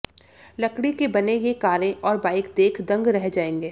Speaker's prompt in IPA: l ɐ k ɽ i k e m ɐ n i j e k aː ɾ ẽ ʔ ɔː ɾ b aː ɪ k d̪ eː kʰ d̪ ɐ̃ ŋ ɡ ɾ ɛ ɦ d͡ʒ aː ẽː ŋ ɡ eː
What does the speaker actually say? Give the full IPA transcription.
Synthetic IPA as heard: l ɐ k ɽ i k e b ɐ n e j e k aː ɾ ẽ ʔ ɔː ɾ b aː ɪ k d̪ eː kʰ d̪ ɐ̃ ŋ ɡ ɾ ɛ ɦ d͡ʒ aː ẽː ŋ ɡ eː